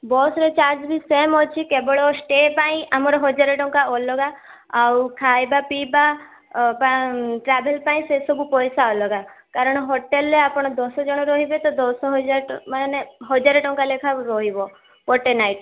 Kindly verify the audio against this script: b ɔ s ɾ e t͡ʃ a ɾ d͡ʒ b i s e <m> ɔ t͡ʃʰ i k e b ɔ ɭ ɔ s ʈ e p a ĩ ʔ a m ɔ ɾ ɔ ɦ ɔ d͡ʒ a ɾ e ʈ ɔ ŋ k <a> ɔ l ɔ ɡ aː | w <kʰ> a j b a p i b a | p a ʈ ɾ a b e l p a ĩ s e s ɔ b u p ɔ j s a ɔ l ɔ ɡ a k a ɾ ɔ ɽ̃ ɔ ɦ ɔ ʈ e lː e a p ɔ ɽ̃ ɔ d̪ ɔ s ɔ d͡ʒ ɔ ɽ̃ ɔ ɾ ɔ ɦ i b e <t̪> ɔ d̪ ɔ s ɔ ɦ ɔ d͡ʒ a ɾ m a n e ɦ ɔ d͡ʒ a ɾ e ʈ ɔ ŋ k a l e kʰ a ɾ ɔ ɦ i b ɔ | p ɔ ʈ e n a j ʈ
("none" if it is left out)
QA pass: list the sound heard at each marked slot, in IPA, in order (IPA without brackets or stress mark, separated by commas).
m, a, kʰ, t̪